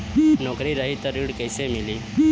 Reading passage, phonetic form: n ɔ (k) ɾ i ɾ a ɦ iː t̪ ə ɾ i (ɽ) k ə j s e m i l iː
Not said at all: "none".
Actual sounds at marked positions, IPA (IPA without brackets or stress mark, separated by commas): k, ɽ